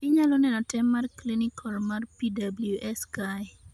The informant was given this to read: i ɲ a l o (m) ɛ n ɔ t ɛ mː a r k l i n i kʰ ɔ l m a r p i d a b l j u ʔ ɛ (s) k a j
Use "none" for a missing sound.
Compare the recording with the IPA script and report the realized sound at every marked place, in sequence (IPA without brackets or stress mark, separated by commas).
n, s